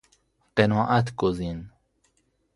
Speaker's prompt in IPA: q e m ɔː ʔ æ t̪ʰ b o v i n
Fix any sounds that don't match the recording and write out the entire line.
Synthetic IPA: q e n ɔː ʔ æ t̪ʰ ɡ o z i n